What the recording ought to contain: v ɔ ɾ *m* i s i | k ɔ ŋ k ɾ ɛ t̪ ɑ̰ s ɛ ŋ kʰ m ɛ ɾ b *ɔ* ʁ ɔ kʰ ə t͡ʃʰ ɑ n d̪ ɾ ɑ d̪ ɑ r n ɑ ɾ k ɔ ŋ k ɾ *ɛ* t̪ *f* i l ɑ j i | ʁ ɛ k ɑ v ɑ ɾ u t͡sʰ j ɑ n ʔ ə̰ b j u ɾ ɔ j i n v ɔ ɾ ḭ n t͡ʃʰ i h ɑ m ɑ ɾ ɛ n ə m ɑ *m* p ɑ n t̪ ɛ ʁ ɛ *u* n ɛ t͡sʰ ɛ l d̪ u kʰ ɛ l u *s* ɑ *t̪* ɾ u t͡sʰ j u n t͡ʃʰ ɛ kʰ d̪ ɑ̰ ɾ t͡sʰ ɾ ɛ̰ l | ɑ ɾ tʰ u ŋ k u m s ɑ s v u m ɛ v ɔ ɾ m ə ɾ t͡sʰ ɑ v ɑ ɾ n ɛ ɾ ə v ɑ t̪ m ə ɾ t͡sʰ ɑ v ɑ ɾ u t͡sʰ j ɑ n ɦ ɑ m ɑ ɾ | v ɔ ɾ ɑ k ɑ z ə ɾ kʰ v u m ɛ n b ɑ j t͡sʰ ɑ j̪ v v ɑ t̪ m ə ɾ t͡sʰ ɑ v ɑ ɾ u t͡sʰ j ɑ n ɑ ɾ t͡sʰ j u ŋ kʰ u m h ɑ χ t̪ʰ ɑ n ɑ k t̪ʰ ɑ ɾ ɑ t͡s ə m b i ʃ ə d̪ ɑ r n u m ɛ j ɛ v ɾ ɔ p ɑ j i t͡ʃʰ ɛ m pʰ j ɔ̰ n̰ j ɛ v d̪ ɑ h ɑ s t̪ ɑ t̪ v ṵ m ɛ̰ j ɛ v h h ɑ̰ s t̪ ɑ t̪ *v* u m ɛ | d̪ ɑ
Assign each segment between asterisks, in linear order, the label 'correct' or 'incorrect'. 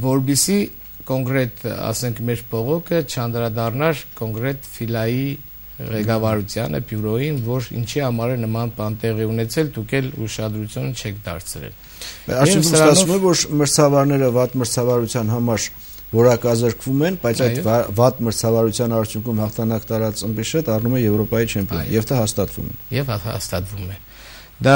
incorrect, correct, correct, correct, incorrect, correct, incorrect, incorrect, correct

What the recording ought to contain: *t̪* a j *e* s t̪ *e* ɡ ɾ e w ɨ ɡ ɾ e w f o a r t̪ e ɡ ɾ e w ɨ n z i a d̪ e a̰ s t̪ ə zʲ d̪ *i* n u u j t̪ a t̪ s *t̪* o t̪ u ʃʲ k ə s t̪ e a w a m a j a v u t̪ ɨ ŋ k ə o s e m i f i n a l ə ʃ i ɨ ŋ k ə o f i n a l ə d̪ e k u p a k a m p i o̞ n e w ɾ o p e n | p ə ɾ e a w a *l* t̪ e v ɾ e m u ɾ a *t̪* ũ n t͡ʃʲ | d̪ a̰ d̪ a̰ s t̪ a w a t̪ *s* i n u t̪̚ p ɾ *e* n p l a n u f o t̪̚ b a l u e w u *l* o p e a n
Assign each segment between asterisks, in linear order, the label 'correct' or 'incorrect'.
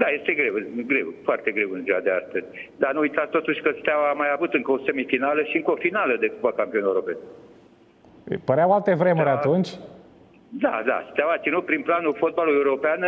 incorrect, correct, correct, incorrect, correct, correct, correct, correct, incorrect, incorrect

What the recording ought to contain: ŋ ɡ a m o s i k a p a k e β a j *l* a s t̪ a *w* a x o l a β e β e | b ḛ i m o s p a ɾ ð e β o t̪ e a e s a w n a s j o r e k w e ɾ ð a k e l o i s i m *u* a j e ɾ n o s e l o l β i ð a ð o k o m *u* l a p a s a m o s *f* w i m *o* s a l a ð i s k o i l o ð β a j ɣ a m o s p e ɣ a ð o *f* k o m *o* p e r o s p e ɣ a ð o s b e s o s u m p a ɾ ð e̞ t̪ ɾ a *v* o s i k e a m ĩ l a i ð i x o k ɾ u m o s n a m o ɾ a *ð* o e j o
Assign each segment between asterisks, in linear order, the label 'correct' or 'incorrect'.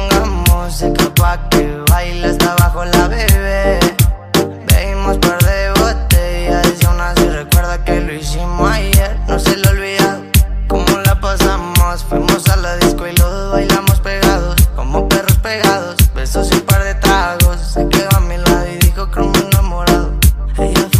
correct, incorrect, incorrect, incorrect, correct, correct, incorrect, correct, incorrect, correct

